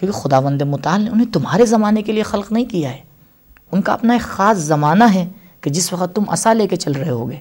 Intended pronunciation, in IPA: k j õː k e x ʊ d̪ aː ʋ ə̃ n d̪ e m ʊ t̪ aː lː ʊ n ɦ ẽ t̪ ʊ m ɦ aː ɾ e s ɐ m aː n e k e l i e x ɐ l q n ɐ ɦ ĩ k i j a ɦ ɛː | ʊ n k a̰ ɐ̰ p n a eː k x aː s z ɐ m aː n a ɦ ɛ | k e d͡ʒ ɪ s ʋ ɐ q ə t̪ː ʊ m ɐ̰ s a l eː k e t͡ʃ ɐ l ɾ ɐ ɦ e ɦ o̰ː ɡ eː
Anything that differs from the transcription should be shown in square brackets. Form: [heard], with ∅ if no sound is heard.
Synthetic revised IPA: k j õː k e x ʊ d̪ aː ʋ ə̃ n d̪ e m ʊ t̪ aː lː ʊ n ɦ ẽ t̪ ʊ m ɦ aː ɾ e [z] ɐ m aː n e k e l i e x ɐ l q n ɐ ɦ ĩ k i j a ɦ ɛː | ʊ n k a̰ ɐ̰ p n a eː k x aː s z ɐ m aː n a ɦ ɛ | k e d͡ʒ ɪ s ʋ ɐ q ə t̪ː ʊ m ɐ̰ s a l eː k e t͡ʃ ɐ l ɾ ɐ ɦ e ɦ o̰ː ɡ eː